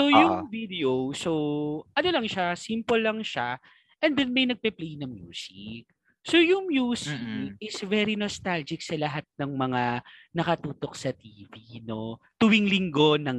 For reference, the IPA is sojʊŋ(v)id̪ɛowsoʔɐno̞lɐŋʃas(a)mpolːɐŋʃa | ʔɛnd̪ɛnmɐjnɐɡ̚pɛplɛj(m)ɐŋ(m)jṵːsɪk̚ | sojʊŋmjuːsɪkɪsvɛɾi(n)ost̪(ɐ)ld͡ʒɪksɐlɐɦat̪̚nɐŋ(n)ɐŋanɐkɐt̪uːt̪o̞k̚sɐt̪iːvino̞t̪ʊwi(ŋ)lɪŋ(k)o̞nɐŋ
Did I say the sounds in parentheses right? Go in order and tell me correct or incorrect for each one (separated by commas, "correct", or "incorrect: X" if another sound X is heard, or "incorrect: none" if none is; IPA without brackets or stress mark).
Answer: correct, incorrect: i, incorrect: n, correct, correct, incorrect: a, incorrect: m, correct, incorrect: ɡ